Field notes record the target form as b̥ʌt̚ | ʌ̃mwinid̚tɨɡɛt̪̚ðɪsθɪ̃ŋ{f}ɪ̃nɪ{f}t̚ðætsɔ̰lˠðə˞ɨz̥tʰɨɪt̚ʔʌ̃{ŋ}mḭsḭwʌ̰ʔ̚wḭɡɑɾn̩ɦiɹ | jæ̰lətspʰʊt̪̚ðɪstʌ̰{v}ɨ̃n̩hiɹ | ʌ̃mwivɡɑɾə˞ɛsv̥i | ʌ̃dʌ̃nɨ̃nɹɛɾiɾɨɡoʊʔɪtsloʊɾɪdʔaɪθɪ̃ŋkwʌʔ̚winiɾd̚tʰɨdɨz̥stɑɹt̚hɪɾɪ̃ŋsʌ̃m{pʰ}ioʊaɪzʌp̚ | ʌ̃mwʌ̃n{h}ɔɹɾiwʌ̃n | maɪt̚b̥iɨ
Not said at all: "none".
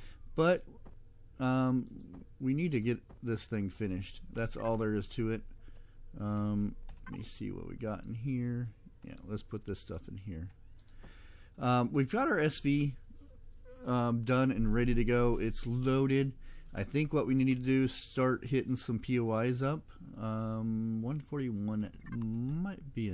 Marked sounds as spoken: f, ʃ, m, f, pʰ, f

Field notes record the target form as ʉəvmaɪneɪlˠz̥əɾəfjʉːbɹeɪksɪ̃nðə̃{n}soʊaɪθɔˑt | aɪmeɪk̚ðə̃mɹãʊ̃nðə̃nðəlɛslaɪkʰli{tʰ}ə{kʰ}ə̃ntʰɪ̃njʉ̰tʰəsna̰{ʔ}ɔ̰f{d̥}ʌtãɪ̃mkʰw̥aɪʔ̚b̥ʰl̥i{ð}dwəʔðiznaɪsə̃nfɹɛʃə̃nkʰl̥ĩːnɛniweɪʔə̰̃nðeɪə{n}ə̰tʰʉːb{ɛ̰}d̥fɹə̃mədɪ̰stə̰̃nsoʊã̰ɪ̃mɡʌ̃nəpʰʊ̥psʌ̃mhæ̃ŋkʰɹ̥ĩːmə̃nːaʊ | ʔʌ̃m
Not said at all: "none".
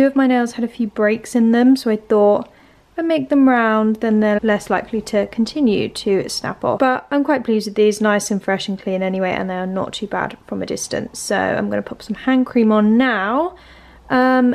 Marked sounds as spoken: m, tʰ, kʰ, p, b̥, z, n, a̰

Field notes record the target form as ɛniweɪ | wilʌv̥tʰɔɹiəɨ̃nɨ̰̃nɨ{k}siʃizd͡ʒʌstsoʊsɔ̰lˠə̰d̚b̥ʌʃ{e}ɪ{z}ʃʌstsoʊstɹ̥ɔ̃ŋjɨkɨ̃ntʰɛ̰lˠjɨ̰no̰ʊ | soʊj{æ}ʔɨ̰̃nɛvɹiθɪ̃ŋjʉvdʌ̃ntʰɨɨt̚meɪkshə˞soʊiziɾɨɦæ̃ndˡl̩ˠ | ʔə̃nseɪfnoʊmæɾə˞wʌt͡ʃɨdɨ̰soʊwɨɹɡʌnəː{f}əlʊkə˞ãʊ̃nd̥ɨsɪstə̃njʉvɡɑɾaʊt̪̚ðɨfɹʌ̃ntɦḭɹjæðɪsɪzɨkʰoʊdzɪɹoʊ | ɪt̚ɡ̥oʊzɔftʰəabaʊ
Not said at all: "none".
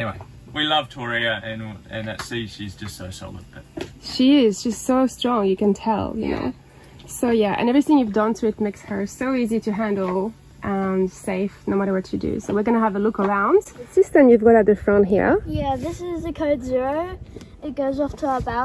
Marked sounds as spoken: t, i, z, æ, v

